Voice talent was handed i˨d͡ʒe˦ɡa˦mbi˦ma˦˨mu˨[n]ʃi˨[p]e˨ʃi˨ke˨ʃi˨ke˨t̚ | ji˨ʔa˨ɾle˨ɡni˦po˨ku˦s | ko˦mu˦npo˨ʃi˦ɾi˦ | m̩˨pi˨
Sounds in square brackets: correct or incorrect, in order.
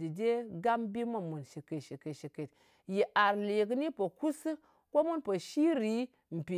correct, incorrect: k

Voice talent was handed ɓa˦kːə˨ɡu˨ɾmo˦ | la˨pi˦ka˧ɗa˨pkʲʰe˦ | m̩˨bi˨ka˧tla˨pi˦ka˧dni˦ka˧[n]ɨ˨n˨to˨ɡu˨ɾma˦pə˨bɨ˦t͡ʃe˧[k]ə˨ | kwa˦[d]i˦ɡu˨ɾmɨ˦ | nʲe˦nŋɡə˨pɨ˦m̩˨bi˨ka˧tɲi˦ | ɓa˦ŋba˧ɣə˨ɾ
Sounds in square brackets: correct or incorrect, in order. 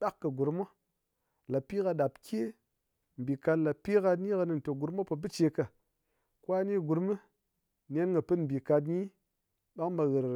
correct, correct, incorrect: n

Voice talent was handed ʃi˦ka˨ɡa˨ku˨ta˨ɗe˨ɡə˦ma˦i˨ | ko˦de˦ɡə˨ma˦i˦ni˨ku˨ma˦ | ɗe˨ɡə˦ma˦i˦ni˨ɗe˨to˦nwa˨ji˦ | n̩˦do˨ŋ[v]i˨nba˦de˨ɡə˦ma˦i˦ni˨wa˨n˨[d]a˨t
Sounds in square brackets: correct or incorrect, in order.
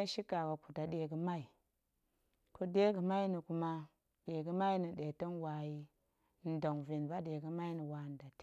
correct, correct

